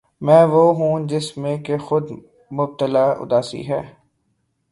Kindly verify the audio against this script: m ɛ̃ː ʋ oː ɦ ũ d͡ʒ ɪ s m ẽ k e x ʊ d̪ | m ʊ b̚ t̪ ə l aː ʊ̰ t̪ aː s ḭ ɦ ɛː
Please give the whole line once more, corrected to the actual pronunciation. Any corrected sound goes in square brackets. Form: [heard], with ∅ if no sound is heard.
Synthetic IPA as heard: m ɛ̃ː ʋ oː ɦ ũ d͡ʒ ɪ s m ẽ k e x ʊ d̪ | m ʊ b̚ t̪ ə l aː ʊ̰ [d̪] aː s ḭ ɦ ɛː